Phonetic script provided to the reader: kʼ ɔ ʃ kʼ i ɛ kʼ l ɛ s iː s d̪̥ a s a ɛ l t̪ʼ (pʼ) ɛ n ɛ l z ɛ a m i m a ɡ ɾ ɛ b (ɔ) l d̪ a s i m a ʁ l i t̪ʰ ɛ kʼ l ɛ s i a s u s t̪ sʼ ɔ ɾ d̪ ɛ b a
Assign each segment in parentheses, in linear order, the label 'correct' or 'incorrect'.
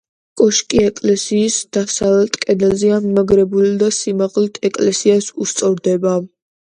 incorrect: kʼ, incorrect: u

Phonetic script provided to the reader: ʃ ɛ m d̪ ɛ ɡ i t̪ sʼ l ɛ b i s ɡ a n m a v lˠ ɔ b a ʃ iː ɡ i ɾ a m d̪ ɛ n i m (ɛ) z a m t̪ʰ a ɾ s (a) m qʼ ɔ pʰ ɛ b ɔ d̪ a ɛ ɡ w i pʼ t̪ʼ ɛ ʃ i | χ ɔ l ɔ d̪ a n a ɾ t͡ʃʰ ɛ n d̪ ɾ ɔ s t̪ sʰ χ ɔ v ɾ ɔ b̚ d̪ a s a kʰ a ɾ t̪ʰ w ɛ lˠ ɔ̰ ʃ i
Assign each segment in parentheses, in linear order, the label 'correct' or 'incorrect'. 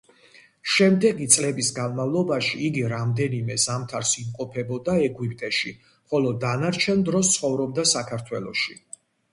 correct, incorrect: i

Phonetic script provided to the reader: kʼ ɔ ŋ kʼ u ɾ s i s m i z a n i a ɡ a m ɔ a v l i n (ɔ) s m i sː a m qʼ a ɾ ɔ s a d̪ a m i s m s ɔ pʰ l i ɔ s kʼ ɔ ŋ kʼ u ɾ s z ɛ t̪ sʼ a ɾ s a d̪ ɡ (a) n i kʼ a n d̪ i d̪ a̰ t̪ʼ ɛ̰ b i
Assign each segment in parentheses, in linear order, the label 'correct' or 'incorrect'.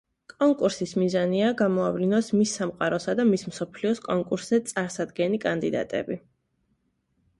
correct, incorrect: ɛ

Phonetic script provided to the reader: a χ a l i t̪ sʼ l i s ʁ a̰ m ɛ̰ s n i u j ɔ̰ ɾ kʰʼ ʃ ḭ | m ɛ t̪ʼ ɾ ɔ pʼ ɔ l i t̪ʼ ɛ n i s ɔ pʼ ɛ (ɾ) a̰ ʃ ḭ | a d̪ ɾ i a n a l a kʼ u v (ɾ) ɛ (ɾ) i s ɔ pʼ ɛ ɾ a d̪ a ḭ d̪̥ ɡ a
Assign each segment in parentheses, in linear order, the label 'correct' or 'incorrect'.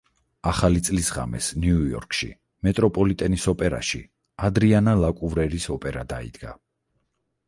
correct, correct, correct

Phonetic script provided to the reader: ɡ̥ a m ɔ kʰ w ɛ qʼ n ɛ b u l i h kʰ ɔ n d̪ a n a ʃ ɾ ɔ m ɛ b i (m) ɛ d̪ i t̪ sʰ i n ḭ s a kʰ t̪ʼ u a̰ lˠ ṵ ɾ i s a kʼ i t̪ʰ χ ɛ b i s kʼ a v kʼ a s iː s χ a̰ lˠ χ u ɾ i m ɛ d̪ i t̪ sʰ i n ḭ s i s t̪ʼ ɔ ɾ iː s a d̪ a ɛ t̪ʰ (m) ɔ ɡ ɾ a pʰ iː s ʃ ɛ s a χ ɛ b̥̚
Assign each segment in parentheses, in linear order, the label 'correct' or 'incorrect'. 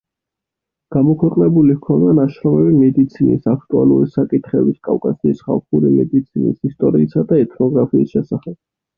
correct, incorrect: n

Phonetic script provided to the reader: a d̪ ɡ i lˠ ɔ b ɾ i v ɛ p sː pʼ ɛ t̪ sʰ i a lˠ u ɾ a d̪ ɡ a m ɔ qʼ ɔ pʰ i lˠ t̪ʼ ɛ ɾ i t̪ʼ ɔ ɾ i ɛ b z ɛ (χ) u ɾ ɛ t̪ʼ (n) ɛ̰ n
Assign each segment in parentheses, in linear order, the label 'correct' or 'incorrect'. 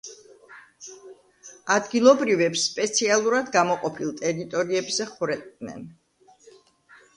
correct, correct

